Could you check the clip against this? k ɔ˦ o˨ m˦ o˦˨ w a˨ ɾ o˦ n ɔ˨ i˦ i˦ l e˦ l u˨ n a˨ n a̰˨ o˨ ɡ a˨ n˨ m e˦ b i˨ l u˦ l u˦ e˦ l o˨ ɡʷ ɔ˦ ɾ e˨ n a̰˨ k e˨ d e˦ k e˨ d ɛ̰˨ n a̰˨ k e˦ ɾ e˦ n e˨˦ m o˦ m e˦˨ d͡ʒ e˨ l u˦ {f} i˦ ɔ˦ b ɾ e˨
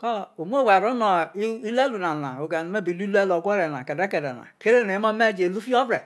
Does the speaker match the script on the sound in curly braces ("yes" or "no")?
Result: yes